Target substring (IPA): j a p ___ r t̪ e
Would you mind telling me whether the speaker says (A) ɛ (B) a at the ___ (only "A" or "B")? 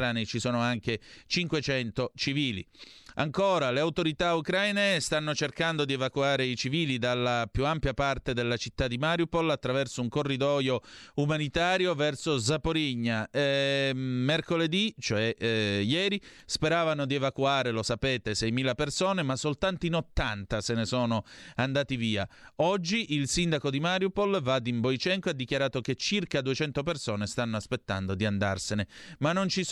B